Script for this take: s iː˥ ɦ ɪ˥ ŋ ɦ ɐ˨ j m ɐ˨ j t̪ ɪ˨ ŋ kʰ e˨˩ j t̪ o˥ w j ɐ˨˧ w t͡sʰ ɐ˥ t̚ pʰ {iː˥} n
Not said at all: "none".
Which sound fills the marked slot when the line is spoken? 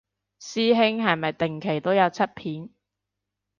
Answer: iː˨˥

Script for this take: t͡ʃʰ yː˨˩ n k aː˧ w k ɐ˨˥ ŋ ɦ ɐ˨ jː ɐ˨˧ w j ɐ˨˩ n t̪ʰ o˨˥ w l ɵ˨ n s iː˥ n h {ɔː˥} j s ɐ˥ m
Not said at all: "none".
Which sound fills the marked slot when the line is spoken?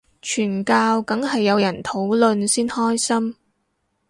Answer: ɔː˥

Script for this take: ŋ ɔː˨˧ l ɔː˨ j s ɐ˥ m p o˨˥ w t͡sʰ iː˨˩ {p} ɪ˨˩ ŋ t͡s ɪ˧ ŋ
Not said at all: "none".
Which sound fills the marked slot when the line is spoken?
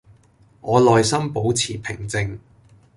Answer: pʰ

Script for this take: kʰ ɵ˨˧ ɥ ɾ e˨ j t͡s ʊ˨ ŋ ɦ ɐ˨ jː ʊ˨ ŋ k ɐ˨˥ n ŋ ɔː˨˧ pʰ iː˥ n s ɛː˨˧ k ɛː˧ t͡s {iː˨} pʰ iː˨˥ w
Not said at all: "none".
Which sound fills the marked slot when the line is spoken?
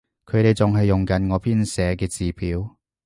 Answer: iː˨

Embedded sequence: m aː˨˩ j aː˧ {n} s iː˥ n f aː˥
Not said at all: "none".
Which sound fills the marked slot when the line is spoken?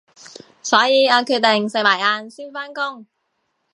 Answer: n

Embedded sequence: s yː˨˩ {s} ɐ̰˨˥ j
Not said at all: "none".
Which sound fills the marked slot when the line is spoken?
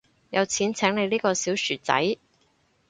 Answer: t͡s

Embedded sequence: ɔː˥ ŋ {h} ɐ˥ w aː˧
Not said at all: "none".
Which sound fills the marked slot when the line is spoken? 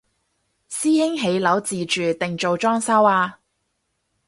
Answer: s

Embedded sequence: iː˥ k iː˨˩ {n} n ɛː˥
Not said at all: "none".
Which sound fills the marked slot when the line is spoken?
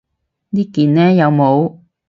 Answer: n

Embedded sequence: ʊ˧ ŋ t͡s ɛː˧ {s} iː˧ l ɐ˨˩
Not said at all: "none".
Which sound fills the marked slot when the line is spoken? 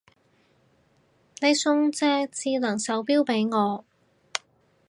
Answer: t͡s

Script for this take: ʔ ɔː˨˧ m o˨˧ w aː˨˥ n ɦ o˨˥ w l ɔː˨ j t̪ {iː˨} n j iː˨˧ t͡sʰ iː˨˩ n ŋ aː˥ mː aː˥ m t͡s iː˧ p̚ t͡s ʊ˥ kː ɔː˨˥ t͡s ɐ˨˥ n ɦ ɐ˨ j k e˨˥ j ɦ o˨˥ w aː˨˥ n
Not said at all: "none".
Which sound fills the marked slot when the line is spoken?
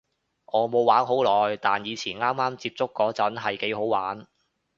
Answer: aː˨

